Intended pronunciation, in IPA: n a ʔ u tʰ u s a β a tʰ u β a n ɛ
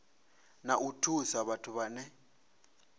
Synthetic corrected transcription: n a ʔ u tʰ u s a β a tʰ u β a n ɛ